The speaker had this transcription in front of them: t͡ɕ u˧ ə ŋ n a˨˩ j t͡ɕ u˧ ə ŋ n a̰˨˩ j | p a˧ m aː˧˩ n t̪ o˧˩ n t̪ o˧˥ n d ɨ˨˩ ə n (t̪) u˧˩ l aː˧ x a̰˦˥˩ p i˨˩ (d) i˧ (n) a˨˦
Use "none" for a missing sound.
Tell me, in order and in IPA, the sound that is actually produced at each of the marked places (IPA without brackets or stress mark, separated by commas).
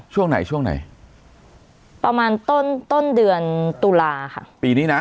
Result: t̪, n, n